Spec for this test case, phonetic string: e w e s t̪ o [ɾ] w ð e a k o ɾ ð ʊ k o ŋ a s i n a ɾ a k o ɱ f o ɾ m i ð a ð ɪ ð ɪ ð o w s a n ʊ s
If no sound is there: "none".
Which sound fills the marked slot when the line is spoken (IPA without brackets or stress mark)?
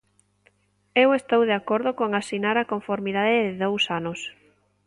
none